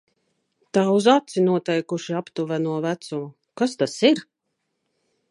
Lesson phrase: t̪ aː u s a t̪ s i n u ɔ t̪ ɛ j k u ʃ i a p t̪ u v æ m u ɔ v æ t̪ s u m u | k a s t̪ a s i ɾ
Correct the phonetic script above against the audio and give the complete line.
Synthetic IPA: t̪ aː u z a t̪ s i n u ɔ t̪ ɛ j k u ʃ i a p t̪ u v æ n u ɔ v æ t̪ s u m u | k a s t̪ a s i ɾ